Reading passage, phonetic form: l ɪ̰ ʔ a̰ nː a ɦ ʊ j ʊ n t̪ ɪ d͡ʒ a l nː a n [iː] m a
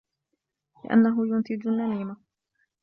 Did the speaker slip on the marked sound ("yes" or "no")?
no